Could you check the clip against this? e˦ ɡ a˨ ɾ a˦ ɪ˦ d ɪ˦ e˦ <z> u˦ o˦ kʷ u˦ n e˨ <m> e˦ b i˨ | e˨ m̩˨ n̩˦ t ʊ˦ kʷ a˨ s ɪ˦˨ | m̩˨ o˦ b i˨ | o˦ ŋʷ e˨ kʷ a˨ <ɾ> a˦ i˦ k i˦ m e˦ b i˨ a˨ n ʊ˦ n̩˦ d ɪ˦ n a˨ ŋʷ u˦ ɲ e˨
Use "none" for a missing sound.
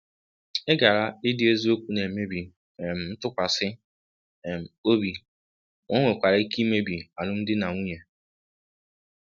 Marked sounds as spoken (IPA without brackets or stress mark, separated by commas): z, m, ɾ